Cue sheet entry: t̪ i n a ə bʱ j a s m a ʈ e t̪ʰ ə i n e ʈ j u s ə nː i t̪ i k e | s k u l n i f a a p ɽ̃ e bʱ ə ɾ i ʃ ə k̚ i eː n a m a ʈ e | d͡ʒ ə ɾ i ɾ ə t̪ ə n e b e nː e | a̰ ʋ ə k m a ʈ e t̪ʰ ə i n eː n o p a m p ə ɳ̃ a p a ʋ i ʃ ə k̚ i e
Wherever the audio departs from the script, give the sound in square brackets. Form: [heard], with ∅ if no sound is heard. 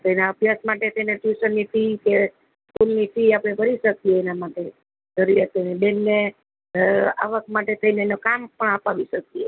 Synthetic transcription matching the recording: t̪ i n a ə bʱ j a s m a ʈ e t̪ʰ ə i n e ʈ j u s ə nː i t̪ i k e | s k u l n i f [i] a p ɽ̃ e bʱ ə ɾ i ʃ ə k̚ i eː n a m a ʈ e | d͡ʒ ə ɾ i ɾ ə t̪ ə n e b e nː e | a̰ ʋ ə k m a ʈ e t̪ʰ ə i n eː n o [k] a m p ə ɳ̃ a p a ʋ i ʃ ə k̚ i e